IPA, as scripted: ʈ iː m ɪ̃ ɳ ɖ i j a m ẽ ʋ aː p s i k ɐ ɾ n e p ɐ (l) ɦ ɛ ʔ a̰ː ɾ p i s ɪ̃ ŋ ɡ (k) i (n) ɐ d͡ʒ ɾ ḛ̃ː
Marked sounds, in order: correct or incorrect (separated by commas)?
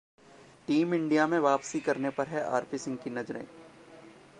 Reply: incorrect, correct, correct